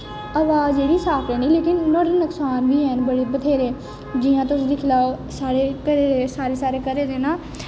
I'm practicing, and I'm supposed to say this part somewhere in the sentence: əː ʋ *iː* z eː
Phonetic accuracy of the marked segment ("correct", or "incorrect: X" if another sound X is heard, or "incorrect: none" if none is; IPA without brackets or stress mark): incorrect: aː